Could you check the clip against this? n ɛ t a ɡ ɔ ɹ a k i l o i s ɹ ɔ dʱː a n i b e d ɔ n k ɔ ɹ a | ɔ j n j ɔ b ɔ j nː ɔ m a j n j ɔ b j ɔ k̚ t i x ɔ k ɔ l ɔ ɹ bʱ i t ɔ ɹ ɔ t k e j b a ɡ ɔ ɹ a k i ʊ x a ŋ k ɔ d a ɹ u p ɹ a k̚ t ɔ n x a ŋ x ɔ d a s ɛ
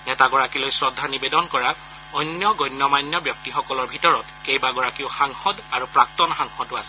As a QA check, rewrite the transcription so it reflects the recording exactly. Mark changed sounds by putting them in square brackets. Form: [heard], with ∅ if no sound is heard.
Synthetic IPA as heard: n ɛ t a ɡ ɔ ɹ a k i l o [j] s ɹ ɔ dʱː a n i b e d ɔ n k ɔ ɹ a | ɔ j n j ɔ [ɡ] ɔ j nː ɔ m a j n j ɔ b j ɔ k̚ t i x ɔ k ɔ l ɔ ɹ bʱ i t ɔ ɹ ɔ t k e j b a ɡ ɔ ɹ a k i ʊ x a ŋ [x] ɔ d a ɹ u p ɹ a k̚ t ɔ n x a ŋ x ɔ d a s ɛ